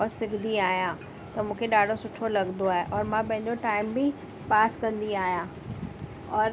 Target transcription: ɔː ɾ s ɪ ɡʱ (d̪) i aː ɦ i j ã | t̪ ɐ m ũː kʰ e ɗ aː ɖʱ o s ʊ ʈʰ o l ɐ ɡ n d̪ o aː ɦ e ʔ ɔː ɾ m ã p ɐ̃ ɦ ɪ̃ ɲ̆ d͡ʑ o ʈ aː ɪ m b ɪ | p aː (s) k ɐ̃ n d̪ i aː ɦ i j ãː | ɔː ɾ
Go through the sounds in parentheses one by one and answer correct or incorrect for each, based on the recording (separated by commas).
correct, correct